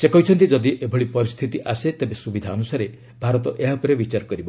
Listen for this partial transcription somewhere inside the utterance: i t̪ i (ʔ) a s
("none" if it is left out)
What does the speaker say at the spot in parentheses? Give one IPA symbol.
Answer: ʔ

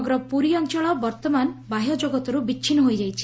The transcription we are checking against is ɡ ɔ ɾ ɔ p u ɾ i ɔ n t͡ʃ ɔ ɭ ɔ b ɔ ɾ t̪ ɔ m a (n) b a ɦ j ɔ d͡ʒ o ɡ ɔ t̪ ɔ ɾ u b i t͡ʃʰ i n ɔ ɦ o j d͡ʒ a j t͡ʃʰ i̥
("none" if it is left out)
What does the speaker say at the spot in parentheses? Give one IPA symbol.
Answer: n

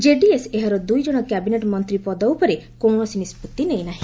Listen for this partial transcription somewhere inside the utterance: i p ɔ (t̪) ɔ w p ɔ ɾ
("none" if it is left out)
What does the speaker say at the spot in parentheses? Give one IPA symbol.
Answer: d̪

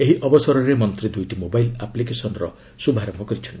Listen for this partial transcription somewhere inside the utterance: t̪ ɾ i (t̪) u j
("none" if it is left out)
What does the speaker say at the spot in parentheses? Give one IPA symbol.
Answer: d̪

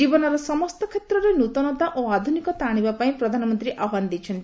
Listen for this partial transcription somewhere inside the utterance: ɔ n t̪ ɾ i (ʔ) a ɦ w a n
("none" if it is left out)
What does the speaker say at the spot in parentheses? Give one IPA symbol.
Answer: ʔ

